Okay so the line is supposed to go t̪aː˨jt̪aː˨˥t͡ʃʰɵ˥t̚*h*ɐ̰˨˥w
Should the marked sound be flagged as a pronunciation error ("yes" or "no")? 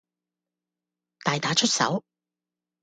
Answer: yes